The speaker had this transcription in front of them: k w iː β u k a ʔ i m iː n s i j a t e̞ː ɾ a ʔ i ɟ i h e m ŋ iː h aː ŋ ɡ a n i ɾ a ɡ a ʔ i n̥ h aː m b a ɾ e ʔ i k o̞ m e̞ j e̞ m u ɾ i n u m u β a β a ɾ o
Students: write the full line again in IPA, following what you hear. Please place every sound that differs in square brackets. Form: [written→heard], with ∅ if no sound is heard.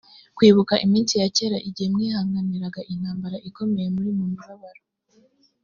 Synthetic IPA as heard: k w iː β u k a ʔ i m iː n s i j a [t→c] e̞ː ɾ a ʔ i ɟ i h e m ŋ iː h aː ŋ ɡ a n i ɾ a ɡ a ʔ i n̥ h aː m b a ɾ [e→a] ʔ i k o̞ m e̞ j e̞ m u ɾ i [n→m] u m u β a β a ɾ o